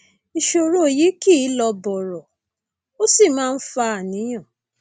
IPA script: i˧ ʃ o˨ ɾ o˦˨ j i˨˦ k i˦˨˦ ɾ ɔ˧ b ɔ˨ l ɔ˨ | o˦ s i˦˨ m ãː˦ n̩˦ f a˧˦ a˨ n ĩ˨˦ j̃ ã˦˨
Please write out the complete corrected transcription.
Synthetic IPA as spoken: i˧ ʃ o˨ ɾ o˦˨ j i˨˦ k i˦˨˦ l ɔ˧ b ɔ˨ ɾ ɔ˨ | o˦ s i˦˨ m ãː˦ n̩˦ f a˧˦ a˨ n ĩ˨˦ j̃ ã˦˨